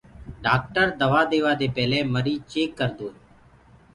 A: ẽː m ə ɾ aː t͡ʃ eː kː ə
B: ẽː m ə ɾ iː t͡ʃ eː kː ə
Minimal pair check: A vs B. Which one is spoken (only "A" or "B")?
B